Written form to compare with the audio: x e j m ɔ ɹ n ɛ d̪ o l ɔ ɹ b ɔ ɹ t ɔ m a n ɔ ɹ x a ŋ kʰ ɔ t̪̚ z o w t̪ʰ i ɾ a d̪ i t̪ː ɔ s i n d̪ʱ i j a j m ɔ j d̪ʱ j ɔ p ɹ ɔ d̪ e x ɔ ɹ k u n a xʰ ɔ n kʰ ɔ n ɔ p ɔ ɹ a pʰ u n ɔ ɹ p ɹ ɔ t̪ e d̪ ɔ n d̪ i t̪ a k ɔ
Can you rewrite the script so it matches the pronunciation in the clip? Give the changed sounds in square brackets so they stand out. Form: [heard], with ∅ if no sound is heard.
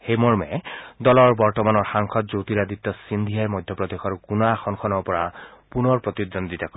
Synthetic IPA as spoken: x e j m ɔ ɹ [m] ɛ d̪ [ɔ] l ɔ ɹ b ɔ ɹ t ɔ m a n ɔ ɹ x a ŋ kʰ ɔ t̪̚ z o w [t̪] i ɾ a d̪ i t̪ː ɔ s i n d̪ʱ i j a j m ɔ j d̪ʱ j ɔ p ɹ ɔ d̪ e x ɔ ɹ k u n a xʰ ɔ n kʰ ɔ n ɔ p ɔ ɹ a [p] u n ɔ ɹ p ɹ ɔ t̪ [i] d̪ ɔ n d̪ i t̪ a k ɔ